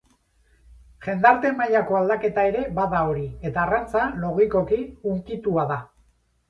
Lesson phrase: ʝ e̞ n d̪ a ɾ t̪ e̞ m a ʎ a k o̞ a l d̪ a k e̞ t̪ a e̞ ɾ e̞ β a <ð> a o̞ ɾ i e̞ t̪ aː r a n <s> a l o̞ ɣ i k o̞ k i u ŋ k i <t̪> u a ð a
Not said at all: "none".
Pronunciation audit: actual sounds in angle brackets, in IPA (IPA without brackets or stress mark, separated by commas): ð, t͡s, t̪